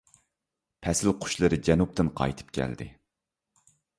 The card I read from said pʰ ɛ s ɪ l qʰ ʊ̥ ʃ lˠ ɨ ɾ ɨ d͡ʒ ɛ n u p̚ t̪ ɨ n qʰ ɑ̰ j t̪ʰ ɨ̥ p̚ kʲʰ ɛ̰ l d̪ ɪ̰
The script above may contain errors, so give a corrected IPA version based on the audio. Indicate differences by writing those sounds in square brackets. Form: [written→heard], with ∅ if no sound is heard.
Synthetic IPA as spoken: pʰ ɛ s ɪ l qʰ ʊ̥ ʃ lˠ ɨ ɾ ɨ d͡ʒ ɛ n u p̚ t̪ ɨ n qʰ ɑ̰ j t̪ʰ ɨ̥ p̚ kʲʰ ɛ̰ l d̪ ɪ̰